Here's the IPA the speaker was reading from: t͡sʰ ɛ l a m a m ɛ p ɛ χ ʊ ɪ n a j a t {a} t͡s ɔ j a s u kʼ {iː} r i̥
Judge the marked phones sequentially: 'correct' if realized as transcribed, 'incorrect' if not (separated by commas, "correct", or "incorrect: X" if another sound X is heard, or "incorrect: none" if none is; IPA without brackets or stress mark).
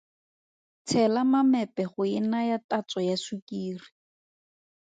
correct, correct